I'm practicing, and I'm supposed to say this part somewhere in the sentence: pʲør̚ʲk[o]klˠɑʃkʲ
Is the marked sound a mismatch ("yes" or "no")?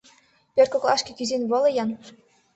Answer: no